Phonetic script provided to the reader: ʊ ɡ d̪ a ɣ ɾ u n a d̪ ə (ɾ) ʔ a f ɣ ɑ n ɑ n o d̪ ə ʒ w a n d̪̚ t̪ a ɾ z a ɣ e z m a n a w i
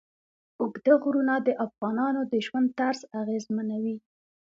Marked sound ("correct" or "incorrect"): incorrect